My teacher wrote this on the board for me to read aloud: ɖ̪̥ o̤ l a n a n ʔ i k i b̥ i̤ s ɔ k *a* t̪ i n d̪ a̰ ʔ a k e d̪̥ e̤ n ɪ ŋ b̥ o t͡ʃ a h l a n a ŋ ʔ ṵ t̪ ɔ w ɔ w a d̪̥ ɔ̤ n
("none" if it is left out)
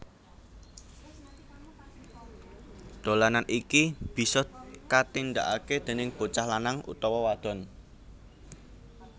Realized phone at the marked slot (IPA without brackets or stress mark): a